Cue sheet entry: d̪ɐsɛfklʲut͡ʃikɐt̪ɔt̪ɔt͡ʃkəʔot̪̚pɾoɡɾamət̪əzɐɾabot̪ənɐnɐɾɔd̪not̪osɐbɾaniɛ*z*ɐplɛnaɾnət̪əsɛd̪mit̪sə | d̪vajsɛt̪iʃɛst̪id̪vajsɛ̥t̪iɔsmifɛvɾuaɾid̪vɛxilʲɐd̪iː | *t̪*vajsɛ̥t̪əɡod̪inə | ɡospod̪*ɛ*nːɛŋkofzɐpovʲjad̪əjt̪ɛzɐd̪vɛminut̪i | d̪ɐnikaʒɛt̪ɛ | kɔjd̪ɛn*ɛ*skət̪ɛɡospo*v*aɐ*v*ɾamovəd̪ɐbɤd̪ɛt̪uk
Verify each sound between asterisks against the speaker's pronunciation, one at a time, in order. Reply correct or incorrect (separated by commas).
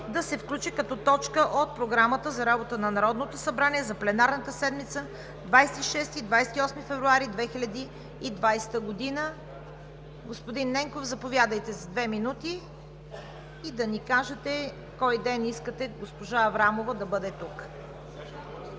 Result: correct, incorrect, incorrect, incorrect, incorrect, correct